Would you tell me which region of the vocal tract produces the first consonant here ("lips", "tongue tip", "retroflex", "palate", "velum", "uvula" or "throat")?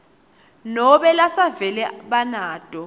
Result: tongue tip